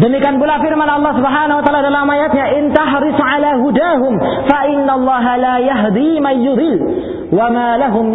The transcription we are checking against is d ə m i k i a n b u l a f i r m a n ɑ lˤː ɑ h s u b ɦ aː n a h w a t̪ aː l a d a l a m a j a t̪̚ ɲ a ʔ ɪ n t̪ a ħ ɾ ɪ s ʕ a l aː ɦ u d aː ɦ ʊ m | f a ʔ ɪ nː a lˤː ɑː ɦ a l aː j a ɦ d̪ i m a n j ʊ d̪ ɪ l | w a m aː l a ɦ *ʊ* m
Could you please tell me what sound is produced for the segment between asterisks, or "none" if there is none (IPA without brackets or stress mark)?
ʊ